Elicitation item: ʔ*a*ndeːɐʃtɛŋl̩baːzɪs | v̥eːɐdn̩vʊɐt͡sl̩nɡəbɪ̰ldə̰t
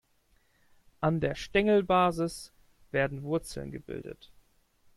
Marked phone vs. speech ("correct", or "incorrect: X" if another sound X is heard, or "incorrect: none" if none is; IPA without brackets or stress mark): correct